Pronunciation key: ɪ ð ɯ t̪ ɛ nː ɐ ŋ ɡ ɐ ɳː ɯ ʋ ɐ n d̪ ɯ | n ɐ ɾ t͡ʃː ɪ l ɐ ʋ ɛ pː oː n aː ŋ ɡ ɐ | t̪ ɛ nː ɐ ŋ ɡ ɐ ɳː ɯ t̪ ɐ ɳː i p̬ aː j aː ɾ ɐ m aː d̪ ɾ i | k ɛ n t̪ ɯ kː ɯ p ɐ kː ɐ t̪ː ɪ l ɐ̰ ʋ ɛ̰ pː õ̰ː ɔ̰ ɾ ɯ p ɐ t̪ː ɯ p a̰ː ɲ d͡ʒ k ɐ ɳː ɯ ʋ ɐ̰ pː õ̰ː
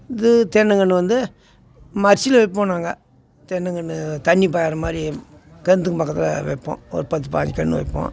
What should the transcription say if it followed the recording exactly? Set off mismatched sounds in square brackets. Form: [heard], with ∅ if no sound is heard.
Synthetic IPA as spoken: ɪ ð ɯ t̪ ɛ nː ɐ ŋ ɡ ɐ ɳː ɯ ʋ ɐ n d̪ ɯ | [m] ɐ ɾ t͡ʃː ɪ l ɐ ʋ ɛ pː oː n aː ŋ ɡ ɐ | t̪ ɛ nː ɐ ŋ ɡ ɐ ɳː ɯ t̪ ɐ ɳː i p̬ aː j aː ɾ ɐ m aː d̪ ɾ i | k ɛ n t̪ ɯ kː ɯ p ɐ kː ɐ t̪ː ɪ l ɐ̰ ʋ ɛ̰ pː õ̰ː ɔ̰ ɾ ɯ p ɐ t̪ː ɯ p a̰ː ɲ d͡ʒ k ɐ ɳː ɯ ʋ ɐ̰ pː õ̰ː